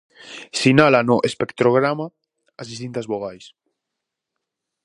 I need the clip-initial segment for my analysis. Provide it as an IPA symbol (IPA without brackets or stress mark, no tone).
s